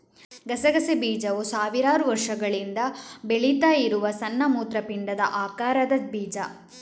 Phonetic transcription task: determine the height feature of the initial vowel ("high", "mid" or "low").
low